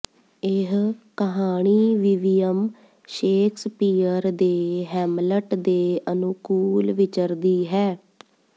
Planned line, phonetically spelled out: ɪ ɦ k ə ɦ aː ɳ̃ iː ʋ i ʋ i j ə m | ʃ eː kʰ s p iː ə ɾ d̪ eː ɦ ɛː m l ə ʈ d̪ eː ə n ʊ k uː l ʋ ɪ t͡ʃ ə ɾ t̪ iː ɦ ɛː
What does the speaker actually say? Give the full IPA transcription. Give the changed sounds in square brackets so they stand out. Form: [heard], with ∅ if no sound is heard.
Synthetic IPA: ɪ ɦ k ə ɦ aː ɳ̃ iː ʋ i ʋ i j ə m | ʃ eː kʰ s p iː ə ɾ d̪ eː ɦ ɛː m l ə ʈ d̪ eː ə n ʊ k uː l ʋ ɪ t͡ʃ ə ɾ [d̪] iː ɦ ɛː